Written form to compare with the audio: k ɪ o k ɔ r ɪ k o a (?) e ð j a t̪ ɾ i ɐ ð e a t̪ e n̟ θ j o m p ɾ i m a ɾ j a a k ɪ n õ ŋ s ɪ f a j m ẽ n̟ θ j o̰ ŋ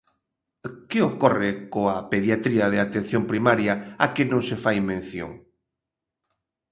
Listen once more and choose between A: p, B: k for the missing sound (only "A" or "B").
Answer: A